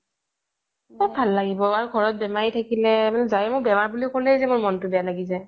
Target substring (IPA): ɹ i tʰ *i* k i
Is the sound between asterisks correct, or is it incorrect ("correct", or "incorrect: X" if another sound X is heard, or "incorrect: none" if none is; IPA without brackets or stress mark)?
incorrect: a